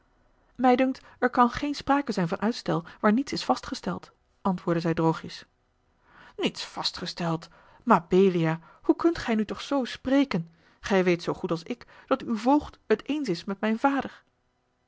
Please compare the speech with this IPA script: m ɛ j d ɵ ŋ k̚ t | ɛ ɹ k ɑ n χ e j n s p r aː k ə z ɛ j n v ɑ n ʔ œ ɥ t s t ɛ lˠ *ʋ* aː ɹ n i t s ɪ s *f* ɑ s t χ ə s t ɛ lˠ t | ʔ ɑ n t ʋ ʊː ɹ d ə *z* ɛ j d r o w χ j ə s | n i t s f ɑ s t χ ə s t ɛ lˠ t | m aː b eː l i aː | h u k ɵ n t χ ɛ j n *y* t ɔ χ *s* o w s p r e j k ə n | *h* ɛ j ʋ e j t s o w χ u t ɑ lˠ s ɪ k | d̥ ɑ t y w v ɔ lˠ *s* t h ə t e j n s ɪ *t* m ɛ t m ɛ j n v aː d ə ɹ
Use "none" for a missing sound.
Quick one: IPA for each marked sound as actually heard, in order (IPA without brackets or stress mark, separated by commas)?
ʋ, f, z, y, s, χ, χ, s